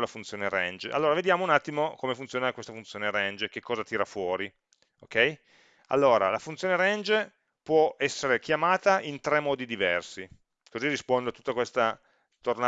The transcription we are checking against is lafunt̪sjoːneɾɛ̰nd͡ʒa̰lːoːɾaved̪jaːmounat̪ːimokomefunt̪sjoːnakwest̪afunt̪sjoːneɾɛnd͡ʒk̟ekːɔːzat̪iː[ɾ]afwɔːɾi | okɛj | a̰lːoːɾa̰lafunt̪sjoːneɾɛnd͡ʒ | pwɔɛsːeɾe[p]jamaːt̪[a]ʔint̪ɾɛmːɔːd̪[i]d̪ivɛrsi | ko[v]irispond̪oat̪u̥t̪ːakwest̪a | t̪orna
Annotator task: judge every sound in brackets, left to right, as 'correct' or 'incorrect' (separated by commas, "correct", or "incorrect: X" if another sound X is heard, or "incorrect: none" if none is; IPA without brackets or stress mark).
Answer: correct, incorrect: k, correct, correct, incorrect: z